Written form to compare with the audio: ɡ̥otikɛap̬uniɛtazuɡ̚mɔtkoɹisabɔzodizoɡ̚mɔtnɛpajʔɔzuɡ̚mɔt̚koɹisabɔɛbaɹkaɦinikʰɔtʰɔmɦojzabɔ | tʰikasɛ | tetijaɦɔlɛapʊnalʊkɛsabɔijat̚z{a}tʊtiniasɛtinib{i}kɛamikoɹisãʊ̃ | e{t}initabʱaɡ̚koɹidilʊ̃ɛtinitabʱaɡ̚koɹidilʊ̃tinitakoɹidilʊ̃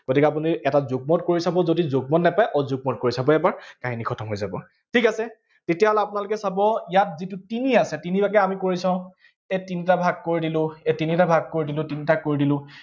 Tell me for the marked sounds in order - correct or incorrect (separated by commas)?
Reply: incorrect, incorrect, correct